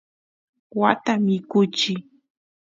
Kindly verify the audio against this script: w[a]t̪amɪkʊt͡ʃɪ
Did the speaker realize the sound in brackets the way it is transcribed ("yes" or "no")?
yes